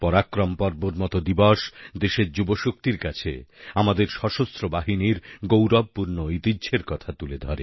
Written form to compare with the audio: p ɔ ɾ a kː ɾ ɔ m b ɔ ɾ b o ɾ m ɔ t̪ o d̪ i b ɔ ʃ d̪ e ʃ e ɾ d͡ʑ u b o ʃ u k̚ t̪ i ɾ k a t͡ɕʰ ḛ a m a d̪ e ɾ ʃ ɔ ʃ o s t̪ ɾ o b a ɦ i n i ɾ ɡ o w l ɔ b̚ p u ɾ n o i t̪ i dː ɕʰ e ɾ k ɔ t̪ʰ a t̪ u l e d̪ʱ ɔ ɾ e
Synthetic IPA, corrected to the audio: p ɔ ɾ a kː ɾ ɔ m p ɔ ɾ b o ɾ m ɔ t̪ o d̪ i b ɔ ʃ d̪ e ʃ e ɾ d͡ʑ u b o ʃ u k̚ t̪ i ɾ k a t͡ɕʰ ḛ a m a d̪ e ɾ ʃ ɔ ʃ o s t̪ ɾ o b a ɦ i n i ɾ ɡ o w ɾ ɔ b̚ p u ɾ n o i t̪ i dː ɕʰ e ɾ k ɔ t̪ʰ a t̪ u l e d̪ʱ ɔ ɾ e